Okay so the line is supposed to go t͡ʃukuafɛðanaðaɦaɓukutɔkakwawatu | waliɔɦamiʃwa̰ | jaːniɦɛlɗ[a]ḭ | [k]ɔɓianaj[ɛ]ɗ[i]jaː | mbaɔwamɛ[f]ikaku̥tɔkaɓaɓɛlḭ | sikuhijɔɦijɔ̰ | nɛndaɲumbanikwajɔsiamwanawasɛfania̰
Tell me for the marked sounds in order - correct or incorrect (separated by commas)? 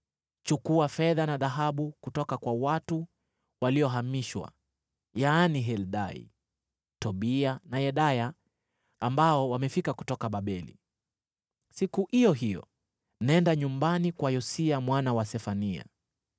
correct, incorrect, correct, incorrect, correct